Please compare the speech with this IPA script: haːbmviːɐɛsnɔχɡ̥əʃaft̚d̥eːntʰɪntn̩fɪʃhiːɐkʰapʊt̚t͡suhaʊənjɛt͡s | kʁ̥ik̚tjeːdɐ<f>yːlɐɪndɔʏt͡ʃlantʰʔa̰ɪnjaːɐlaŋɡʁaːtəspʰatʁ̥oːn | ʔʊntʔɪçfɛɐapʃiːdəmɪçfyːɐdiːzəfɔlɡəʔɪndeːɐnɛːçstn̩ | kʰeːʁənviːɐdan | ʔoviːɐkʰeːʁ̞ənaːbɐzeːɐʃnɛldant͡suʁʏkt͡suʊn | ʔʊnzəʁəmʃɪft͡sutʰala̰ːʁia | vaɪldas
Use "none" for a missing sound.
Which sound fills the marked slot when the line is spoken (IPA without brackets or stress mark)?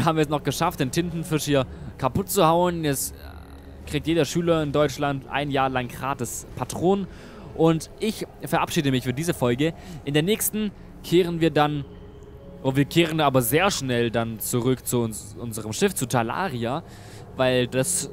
ʃ